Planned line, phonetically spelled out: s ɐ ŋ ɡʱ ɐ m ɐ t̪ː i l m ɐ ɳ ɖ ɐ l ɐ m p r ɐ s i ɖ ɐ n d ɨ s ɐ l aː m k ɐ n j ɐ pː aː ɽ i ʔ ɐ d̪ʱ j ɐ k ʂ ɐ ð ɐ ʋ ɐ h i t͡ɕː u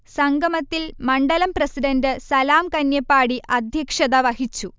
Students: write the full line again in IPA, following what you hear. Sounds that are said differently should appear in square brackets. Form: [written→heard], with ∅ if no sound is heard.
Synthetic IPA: s ɐ ŋ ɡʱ ɐ m ɐ t̪ː i l m ɐ ɳ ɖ ɐ l ɐ m p r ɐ s i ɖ ɐ n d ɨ s ɐ l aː m k ɐ n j ɐ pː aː ɽ i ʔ ɐ d̪ʱ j ɐ k ʂ ɐ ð ɐ ʋ ɐ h i t͡ɕː u